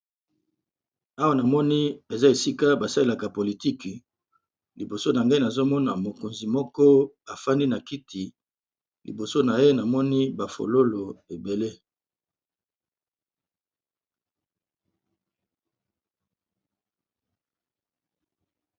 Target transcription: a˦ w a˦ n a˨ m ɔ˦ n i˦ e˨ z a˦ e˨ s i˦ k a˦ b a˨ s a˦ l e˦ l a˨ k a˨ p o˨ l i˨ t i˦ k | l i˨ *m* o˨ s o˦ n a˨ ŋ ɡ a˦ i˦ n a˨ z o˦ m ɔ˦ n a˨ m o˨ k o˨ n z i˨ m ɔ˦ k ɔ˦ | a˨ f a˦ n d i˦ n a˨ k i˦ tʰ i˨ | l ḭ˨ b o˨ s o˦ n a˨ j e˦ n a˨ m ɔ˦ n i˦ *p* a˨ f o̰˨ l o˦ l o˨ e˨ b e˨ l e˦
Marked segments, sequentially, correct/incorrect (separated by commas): incorrect, incorrect